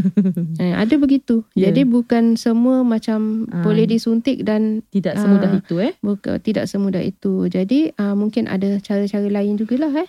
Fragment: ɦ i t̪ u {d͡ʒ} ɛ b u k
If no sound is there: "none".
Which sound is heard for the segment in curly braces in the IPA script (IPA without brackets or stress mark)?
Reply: none